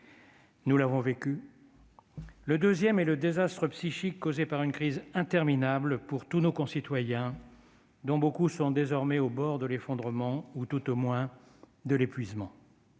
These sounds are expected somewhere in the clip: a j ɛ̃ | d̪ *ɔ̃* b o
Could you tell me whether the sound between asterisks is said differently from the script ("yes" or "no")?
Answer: no